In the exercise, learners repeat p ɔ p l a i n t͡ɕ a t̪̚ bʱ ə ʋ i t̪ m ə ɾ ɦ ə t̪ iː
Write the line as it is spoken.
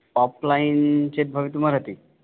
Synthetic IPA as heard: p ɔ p l a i n t͡ɕ e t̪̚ bʱ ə ʋ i t̪ m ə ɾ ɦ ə t̪ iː